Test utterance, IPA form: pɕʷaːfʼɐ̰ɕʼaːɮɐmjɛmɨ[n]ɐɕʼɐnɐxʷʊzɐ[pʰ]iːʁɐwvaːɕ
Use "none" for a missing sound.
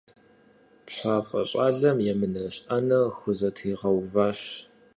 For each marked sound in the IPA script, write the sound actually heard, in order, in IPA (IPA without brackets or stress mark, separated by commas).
n, tʰ